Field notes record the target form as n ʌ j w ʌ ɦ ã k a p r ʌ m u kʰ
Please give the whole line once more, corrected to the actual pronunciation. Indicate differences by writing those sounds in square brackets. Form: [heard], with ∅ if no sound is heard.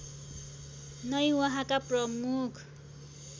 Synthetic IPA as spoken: n ʌ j w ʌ ɦ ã k a p r ʌ m u kʰ